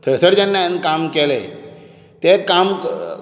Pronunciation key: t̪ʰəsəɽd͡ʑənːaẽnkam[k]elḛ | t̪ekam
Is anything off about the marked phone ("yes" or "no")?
no